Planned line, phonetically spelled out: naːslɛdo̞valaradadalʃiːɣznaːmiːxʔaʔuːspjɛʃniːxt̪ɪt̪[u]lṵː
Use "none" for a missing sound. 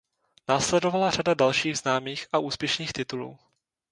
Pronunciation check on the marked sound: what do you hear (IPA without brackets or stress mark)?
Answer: u